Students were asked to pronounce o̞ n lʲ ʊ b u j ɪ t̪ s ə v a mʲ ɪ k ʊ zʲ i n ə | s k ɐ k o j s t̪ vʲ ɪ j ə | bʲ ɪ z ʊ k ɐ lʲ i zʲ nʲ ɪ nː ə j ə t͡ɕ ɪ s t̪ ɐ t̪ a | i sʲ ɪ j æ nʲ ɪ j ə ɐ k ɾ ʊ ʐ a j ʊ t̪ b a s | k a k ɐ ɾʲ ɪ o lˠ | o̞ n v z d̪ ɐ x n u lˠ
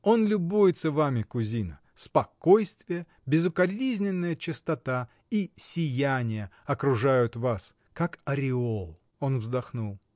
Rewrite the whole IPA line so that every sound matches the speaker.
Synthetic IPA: o̞ n lʲ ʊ b u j ɪ t̪ s ə v a mʲ ɪ k ʊ zʲ i n ə | s p ɐ k o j s t̪ vʲ ɪ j ə | bʲ ɪ z ʊ k ɐ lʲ i zʲ nʲ ɪ nː ə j ə t͡ɕ ɪ s t̪ ɐ t̪ a | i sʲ ɪ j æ nʲ ɪ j ə ɐ k ɾ ʊ ʐ a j ʊ t̪ v a s | k a k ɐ ɾʲ ɪ o lˠ | o̞ n v z d̪ ɐ x n u lˠ